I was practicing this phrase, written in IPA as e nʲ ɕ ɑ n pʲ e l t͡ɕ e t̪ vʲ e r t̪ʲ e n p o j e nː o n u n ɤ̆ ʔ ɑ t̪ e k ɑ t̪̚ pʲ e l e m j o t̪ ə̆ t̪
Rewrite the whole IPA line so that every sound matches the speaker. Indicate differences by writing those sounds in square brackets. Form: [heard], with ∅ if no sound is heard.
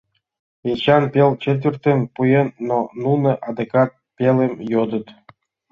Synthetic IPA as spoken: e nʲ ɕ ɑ n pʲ e l t͡ɕ e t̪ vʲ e r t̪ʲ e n p [u] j e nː o n u n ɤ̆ ʔ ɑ [d̪] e k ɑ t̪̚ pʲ e l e m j o [d̪] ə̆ t̪